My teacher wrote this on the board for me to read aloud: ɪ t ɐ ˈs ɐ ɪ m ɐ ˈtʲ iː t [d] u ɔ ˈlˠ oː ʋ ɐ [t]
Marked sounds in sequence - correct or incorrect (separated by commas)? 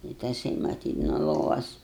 incorrect, incorrect